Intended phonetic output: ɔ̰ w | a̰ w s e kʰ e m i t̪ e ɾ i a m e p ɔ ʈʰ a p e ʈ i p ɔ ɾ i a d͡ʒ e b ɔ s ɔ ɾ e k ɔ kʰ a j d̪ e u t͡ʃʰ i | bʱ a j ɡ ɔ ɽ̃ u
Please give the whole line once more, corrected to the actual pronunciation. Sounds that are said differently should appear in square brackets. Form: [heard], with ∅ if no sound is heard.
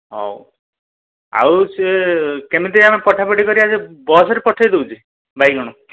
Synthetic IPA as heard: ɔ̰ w | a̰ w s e [k] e m i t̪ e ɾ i a m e p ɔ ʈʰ a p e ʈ i [k] ɔ ɾ i a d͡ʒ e b ɔ s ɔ ɾ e [p] ɔ [ʈʰ] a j d̪ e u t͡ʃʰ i | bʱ a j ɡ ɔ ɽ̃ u

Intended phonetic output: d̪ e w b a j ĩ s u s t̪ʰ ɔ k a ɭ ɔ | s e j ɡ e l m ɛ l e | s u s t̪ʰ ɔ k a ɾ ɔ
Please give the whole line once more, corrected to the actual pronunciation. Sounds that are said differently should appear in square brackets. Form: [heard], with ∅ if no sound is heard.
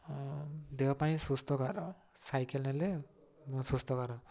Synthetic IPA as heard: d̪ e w [p] a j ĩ s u s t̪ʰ ɔ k a [ɾ] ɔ | s [a] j [k] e l [n] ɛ l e | s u s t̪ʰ ɔ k a ɾ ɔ

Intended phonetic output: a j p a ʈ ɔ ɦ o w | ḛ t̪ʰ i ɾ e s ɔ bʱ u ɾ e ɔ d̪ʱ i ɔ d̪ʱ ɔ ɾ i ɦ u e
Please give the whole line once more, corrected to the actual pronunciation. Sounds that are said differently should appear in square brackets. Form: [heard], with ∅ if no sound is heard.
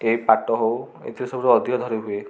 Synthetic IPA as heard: [e] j p a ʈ ɔ ɦ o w | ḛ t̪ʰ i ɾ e s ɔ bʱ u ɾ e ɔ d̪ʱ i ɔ d̪ʱ ɔ ɾ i ɦ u e

